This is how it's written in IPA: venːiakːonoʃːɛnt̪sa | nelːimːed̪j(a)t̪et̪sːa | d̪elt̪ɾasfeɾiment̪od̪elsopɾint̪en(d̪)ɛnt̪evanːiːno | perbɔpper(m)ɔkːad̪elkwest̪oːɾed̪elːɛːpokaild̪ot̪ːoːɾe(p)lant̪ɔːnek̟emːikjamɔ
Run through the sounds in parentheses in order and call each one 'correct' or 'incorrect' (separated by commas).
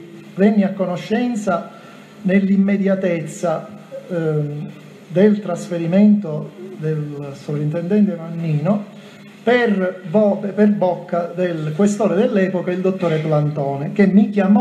correct, correct, incorrect, correct